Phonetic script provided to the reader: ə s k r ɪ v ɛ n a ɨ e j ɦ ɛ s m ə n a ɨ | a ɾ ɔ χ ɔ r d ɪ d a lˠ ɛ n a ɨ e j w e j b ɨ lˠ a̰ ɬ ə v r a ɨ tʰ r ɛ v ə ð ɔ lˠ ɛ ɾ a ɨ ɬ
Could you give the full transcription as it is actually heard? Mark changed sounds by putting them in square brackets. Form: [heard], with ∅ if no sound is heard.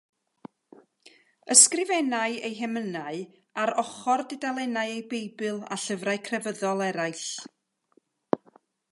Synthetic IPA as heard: ə s k r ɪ v ɛ n a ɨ e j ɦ ɛ [∅] m ə n a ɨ | a ɾ ɔ χ ɔ r d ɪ d a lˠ ɛ n a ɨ e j [b] e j b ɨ lˠ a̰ ɬ ə v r a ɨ [kʰ] r ɛ v ə ð ɔ lˠ ɛ ɾ a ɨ ɬ